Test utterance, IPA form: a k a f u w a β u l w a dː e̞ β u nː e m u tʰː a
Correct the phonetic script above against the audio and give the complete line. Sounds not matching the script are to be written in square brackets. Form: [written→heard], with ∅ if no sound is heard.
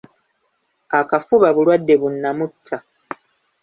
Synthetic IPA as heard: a k a f u [w→β] a β u l w a dː e̞ β u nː [e→a] m u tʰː a